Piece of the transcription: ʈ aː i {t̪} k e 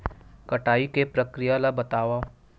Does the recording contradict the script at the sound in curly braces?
yes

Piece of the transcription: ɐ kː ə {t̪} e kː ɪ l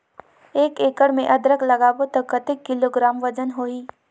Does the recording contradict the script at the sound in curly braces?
no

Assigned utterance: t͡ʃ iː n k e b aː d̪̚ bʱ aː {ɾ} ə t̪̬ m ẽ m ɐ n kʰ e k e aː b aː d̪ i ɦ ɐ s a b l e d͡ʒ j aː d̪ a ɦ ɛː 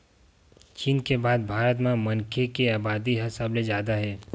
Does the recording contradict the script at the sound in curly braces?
no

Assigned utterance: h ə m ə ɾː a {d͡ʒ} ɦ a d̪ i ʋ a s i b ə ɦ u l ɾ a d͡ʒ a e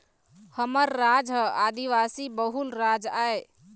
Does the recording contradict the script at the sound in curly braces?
no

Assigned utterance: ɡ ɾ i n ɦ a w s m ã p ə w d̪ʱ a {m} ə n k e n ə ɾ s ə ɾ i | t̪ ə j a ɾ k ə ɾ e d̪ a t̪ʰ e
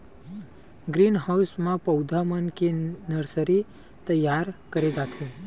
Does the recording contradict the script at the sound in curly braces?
no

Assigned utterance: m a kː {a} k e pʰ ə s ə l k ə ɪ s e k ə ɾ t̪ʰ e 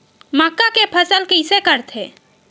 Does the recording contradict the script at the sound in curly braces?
no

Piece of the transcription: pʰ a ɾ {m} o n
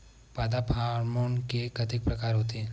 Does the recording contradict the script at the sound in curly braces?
no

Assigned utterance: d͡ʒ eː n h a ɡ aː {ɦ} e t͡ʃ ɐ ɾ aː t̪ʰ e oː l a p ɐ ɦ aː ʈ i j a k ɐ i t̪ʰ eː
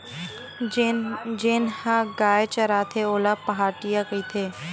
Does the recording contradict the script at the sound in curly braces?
yes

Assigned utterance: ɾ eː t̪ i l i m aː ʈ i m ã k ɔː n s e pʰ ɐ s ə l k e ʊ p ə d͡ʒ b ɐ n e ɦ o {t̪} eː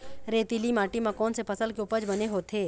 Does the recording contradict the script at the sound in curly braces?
yes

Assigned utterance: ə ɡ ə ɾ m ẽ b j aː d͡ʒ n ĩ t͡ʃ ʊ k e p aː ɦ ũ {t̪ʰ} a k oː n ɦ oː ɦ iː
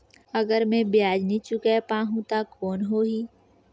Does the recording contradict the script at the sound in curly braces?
yes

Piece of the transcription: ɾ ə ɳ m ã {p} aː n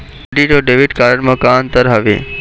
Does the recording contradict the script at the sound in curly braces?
yes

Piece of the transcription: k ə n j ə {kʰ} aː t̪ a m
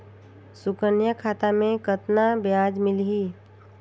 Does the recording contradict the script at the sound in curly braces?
no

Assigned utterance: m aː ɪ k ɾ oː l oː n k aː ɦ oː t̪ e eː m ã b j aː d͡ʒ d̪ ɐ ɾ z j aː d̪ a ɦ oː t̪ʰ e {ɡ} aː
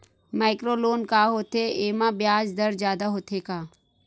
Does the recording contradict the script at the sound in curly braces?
yes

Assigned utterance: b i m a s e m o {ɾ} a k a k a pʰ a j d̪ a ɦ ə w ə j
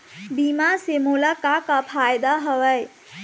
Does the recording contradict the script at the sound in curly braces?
yes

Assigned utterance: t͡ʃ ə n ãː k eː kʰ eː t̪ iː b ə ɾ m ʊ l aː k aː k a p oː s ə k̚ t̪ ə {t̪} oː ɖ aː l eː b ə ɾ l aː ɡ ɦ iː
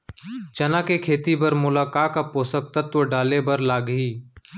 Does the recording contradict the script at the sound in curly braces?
no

